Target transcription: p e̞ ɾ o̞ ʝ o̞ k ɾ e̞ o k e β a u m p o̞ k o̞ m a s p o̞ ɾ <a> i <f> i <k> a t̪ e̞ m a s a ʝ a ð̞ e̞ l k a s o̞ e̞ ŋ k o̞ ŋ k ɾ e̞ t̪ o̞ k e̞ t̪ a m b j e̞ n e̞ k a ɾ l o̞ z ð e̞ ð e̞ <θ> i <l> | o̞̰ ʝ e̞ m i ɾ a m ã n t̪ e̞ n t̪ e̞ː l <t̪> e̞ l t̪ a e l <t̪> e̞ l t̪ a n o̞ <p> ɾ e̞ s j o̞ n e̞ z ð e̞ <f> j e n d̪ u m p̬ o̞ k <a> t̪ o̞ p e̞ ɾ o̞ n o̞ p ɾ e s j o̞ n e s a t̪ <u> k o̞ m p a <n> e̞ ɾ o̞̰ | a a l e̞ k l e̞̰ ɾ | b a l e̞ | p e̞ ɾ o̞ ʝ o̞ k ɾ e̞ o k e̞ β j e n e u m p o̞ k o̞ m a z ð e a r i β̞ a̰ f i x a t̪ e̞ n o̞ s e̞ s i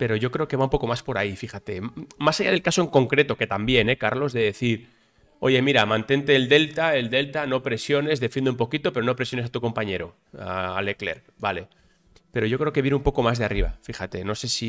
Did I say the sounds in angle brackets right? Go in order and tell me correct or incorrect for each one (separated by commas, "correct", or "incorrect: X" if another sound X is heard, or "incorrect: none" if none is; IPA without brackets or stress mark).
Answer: correct, correct, incorrect: x, correct, incorrect: ɾ, incorrect: d̪, incorrect: d̪, correct, correct, incorrect: i, correct, incorrect: ɲ